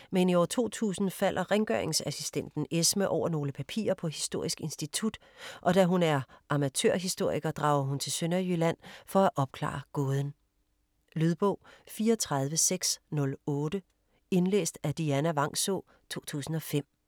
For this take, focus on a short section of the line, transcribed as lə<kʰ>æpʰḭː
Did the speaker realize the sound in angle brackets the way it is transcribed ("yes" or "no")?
no